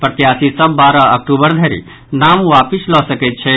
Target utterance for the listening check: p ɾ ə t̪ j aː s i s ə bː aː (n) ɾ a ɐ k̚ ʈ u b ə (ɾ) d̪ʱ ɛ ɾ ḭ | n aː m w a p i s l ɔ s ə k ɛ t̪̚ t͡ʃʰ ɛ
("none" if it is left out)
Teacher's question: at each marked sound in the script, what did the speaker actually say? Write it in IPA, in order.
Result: none, ɾ

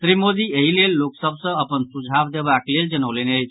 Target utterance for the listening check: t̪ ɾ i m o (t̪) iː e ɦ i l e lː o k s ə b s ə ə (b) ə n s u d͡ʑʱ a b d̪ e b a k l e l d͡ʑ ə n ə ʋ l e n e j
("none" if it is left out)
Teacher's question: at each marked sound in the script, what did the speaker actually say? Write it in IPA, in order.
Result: d̪, p

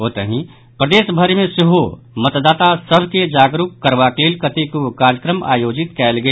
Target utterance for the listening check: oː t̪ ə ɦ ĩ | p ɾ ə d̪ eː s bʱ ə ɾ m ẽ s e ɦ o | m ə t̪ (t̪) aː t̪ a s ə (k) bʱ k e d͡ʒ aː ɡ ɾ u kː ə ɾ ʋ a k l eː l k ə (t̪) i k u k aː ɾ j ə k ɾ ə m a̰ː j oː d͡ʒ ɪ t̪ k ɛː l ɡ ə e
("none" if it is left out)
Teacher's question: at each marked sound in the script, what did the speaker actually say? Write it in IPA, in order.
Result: d̪, none, t̪

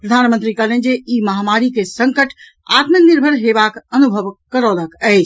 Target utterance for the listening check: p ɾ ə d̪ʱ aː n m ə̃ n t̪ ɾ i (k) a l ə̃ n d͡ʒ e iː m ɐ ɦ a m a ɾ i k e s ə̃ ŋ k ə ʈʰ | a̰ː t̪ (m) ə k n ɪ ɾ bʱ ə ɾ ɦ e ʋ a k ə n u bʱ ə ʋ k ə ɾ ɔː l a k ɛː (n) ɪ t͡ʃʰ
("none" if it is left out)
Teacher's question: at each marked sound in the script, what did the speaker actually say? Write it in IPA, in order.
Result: k, m, none

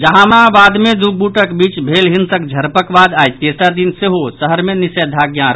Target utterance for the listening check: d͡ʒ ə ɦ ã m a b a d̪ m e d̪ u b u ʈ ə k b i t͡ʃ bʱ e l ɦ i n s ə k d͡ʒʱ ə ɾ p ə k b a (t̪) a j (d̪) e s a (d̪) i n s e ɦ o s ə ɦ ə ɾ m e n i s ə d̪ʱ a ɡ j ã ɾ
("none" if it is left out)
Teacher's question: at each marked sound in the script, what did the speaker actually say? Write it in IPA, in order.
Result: d̪, t̪, d̪

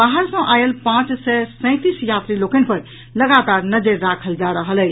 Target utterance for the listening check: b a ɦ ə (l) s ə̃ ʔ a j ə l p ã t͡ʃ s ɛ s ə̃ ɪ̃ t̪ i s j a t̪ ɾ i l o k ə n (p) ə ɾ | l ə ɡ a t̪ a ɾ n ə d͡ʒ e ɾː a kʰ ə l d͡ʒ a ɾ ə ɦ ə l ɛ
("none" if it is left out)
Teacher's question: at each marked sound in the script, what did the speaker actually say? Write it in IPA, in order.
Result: ɾ, p

